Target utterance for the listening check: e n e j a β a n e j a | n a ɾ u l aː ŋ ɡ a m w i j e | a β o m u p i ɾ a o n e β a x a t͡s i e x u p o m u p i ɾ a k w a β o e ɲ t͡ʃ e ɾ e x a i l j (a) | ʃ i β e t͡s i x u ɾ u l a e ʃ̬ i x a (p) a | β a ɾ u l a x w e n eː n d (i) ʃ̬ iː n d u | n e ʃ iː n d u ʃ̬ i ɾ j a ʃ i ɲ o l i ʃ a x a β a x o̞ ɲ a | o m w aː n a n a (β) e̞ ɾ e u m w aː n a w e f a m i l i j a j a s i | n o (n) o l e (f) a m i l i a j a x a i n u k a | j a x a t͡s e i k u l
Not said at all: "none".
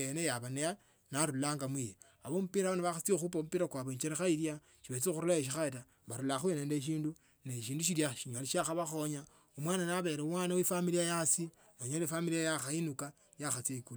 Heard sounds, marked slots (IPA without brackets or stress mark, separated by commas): a, t, e, β, ɲ, f